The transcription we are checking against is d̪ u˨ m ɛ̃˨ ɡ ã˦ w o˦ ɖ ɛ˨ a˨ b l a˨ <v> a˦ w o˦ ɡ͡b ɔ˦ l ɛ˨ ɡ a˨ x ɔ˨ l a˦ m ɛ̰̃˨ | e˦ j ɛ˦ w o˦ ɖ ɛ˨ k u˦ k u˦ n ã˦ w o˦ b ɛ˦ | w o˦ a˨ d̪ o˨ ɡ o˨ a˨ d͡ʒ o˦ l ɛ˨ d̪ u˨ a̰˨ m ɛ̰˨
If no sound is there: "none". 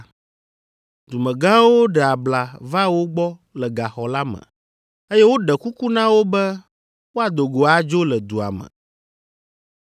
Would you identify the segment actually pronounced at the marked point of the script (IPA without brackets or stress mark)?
v